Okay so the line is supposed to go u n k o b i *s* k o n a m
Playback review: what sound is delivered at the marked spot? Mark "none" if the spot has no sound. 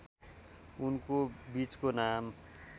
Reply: t͡s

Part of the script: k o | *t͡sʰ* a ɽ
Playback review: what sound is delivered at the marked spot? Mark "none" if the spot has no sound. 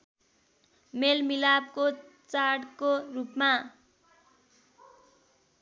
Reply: t͡s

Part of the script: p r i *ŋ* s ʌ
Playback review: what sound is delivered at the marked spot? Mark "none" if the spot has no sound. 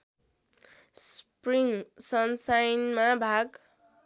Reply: ŋ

